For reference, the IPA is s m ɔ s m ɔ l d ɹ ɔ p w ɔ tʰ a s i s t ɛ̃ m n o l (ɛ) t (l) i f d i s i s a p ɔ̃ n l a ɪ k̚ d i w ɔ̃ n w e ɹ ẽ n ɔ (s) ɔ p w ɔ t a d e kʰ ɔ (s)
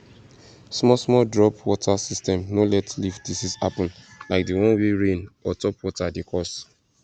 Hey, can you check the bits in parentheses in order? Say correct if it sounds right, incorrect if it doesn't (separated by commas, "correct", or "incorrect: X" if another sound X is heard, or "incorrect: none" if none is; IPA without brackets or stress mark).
correct, correct, incorrect: t, correct